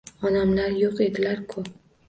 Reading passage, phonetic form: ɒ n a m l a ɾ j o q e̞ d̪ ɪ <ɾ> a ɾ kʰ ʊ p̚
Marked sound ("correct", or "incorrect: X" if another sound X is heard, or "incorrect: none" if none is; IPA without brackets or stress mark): incorrect: l